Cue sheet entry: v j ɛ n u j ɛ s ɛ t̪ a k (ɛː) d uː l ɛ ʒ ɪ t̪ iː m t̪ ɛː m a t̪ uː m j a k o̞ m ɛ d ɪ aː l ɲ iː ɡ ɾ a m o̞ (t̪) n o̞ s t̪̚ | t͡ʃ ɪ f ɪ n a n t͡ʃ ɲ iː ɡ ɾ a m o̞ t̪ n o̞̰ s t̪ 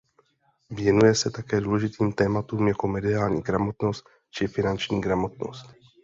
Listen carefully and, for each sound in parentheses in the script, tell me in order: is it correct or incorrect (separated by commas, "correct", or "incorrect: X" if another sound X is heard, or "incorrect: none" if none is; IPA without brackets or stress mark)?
correct, correct